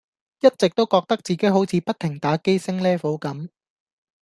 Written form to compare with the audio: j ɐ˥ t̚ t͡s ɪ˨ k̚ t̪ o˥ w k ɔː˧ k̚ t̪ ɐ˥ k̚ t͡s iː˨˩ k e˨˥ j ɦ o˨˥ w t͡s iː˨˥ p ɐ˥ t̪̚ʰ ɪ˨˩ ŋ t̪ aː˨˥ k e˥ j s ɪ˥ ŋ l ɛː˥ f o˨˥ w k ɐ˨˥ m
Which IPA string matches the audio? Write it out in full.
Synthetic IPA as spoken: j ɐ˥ t̚ t͡s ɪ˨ k̚ t̪ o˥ w k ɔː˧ k̚ t̪ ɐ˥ k̚ t͡s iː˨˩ k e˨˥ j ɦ o˨˥ w t͡sʰ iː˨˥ p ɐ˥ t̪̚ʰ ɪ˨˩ ŋ t̪ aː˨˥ k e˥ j s ɪ˥ ŋ l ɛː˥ f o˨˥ w k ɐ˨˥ m